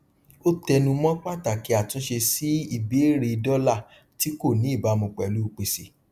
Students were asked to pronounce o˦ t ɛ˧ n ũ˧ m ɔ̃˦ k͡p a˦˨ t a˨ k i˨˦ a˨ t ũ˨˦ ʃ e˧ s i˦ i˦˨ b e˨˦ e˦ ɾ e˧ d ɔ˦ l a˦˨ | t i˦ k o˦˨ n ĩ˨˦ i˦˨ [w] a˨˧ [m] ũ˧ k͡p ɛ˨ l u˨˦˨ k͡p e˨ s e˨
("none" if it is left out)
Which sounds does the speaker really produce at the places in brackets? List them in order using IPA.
b, m

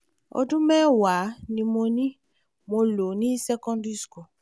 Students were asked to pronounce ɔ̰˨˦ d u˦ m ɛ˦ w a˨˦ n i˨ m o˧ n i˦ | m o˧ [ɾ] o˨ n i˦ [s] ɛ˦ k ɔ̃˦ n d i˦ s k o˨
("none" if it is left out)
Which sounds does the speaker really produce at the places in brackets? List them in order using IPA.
l, s

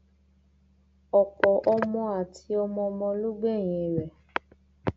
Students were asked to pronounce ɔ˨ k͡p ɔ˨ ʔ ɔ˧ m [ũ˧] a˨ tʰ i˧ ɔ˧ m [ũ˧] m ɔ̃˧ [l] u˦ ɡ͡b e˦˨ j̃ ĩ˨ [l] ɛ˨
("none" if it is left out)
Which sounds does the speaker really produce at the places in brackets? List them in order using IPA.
ɔ̃˧, ɔ̃˧, l, ɾ

